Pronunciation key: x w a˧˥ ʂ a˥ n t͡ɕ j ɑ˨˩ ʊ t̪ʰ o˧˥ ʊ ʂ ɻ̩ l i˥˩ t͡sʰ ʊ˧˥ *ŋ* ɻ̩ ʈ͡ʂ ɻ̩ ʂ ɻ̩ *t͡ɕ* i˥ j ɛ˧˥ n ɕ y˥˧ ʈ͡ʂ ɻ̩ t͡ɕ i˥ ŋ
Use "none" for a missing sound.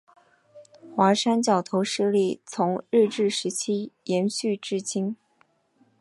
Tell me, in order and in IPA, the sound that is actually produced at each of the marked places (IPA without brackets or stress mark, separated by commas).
ŋ, t͡ɕʰ